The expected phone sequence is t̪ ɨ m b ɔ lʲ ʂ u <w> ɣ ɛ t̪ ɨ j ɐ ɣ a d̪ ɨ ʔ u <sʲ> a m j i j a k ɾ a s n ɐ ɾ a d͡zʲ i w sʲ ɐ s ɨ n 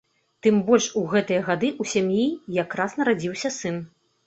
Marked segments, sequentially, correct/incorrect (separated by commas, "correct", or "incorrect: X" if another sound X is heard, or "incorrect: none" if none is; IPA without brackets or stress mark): incorrect: none, correct